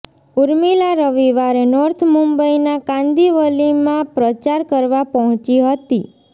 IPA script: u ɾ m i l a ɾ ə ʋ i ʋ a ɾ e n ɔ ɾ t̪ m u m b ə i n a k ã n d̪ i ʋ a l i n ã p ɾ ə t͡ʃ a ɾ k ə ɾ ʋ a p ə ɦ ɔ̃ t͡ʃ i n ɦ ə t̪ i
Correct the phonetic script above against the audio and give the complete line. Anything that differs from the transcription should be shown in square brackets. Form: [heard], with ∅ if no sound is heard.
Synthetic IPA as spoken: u ɾ m i l a ɾ ə ʋ i ʋ a ɾ e n ɔ ɾ [t̪ʰ] m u m b ə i n a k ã n d̪ i ʋ [ə] l i [m] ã p ɾ ə t͡ʃ a ɾ k ə ɾ ʋ a p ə ɦ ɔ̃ t͡ʃ i [∅] ɦ ə t̪ i